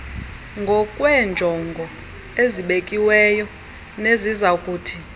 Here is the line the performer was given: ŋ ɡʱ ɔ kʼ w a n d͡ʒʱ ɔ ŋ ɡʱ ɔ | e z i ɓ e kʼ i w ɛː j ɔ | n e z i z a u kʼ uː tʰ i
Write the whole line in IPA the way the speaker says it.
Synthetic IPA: ŋ ɡʱ ɔ kʼ w ɛ n d͡ʒʱ ɔ ŋ ɡʱ ɔ | e z i ɓ e kʼ i w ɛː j ɔ | n e z i z a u kʼ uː tʰ i